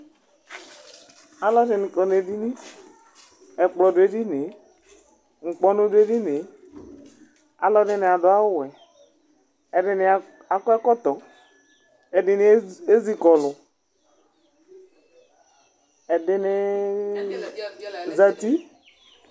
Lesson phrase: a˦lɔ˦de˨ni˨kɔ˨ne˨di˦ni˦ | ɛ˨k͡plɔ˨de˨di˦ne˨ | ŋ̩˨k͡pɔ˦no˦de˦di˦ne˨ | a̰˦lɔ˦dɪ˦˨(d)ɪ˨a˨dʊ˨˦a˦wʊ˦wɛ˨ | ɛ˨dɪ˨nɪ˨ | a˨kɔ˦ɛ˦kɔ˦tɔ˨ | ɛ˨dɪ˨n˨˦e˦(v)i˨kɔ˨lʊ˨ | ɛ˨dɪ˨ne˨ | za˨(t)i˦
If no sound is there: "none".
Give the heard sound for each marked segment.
n, z, t

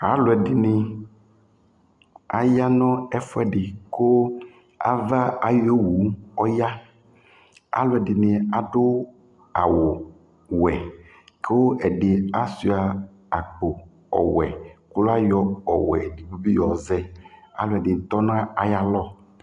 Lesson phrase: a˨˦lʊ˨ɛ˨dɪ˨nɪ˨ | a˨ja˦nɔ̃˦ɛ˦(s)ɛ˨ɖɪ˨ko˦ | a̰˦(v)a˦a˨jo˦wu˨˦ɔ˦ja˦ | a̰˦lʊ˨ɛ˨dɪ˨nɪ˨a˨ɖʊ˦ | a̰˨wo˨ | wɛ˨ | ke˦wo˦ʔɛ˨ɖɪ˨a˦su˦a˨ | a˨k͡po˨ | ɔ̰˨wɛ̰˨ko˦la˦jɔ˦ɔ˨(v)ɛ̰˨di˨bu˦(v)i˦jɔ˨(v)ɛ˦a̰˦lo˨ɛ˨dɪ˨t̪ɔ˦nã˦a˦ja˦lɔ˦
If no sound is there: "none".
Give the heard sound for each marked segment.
f, v, w, b, z

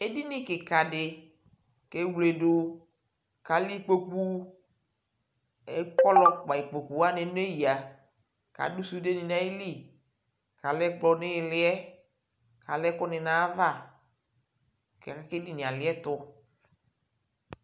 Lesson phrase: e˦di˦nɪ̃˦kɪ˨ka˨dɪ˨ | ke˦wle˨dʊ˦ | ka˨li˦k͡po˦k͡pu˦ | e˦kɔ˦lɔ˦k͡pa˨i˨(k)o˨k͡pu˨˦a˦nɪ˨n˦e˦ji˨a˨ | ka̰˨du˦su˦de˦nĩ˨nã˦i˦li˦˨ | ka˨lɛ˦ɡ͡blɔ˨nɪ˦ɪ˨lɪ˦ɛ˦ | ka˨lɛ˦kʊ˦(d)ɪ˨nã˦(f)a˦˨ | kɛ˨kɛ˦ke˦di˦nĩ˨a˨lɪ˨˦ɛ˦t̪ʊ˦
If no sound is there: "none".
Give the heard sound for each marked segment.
k͡p, n, v

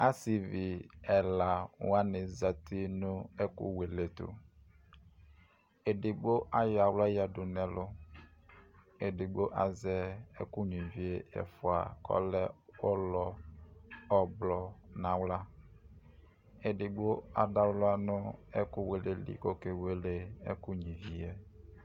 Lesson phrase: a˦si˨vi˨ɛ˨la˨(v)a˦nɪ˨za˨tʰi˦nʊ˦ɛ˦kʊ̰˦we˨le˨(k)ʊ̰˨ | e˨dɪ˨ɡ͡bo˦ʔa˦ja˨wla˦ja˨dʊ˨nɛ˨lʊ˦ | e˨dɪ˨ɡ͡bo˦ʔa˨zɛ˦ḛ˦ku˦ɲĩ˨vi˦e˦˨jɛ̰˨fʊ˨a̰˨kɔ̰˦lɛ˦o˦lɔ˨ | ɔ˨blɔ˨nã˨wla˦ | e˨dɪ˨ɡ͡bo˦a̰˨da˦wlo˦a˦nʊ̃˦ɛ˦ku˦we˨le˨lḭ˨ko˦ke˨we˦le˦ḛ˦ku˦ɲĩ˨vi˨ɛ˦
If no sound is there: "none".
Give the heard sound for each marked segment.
w, t

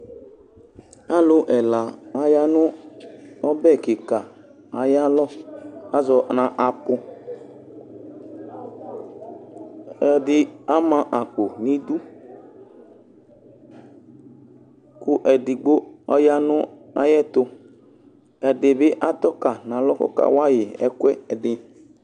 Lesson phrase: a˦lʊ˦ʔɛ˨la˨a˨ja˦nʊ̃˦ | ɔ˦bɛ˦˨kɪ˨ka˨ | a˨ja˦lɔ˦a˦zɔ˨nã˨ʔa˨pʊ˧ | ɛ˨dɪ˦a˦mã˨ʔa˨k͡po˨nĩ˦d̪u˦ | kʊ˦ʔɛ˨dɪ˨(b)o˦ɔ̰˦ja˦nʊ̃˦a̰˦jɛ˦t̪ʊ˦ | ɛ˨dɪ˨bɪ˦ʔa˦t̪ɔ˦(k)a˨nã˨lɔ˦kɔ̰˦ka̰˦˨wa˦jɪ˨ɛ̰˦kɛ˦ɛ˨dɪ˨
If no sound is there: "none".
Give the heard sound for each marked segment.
ɡ͡b, k

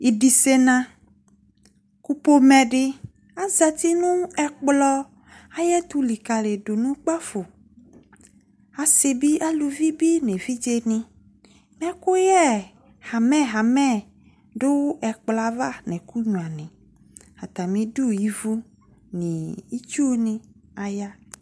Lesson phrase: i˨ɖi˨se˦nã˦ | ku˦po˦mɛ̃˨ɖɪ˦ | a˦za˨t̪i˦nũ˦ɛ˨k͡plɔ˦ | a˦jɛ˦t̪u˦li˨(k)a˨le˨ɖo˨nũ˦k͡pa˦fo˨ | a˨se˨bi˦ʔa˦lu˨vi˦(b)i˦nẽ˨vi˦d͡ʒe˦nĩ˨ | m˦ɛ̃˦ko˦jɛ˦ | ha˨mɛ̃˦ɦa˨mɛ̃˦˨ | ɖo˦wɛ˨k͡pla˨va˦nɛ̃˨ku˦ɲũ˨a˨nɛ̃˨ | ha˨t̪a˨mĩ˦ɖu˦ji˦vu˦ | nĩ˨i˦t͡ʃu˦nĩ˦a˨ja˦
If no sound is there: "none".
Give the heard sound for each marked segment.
k, b

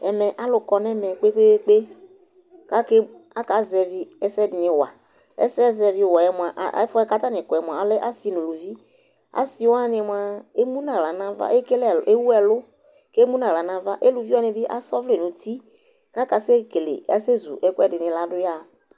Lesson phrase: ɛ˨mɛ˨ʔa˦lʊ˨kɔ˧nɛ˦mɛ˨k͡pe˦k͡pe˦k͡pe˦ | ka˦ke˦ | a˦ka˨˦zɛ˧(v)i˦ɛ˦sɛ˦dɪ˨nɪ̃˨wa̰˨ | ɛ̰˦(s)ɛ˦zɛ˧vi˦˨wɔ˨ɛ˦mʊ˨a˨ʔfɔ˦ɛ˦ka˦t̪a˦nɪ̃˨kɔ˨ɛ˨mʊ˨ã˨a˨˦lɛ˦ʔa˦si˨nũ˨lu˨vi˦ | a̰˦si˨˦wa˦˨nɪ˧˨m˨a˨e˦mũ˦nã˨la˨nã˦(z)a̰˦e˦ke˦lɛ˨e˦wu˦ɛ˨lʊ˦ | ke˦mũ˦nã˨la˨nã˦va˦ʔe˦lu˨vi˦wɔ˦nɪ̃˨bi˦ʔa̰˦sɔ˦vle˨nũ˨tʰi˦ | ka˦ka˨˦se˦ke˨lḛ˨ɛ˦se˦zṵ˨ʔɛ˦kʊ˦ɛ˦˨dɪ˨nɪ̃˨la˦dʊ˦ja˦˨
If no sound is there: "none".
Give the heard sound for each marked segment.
v, s, v

